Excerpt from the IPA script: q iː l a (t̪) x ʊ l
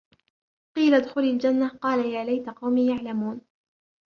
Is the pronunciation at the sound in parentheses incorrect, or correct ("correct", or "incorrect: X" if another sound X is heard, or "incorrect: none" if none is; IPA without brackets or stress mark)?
incorrect: d̪